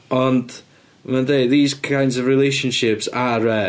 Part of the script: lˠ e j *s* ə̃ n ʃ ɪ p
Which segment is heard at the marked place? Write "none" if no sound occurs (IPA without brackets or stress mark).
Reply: ʃ